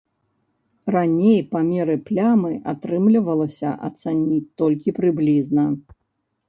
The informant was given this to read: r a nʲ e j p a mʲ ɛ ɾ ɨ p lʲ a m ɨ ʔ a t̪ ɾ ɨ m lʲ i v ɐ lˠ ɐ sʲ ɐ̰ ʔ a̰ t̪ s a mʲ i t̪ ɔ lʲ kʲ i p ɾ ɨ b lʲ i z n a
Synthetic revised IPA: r a nʲ e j p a mʲ ɛ ɾ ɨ p lʲ a m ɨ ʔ a t̪ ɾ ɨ m lʲ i v ɐ lˠ ɐ sʲ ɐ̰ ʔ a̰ t̪ s a nʲ i t̪ ɔ lʲ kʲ i p ɾ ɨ b lʲ i z n ɐ